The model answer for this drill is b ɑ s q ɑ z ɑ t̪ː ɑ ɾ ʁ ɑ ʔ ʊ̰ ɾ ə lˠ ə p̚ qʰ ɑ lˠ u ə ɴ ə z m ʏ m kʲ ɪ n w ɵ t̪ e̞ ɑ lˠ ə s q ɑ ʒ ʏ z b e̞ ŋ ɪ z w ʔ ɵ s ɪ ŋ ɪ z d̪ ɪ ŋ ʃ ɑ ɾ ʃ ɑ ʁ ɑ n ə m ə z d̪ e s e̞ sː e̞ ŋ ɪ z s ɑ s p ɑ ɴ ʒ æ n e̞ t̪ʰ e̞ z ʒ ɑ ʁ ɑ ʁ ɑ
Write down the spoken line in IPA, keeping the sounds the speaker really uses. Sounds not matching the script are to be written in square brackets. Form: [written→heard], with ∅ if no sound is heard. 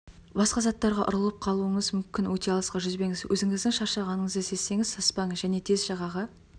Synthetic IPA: b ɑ s q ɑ z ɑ t̪ː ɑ ɾ ʁ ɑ ʔ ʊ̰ ɾ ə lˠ ə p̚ qʰ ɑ lˠ u ə ɴ ə z m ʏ m kʲ ɪ n w ɵ t̪ e̞ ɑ lˠ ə s q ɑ ʒ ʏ z b e̞ ŋ ɪ z w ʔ ɵ [s→z] ɪ ŋ ɪ z d̪ ɪ ŋ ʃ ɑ ɾ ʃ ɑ ʁ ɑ n ə [m→ɴ] ə z d̪ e s e̞ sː e̞ ŋ ɪ z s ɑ s p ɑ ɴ ʒ æ n e̞ t̪ʰ e̞ z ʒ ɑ ʁ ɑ ʁ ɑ